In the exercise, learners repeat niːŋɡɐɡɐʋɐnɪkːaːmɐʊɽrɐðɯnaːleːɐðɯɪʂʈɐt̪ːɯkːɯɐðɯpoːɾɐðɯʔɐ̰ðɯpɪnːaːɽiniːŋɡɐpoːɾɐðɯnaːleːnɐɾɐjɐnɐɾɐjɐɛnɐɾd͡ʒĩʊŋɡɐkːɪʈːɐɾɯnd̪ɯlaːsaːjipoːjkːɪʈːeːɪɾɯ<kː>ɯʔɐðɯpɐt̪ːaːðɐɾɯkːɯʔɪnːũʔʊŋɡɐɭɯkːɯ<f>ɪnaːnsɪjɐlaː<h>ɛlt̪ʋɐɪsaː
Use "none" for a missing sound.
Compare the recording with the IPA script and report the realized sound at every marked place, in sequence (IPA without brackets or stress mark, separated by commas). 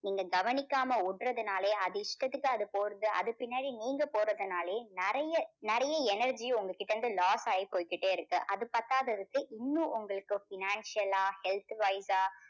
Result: kː, f, h